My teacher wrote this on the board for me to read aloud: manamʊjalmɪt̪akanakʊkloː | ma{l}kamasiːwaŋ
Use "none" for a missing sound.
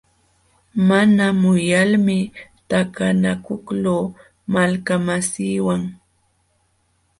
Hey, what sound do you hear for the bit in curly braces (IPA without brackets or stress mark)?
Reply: l